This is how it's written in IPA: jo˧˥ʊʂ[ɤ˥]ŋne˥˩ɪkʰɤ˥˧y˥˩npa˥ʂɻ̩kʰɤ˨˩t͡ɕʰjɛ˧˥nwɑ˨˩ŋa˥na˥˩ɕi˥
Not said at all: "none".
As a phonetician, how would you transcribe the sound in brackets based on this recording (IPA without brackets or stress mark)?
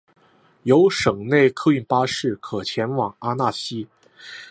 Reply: ɤ˨˩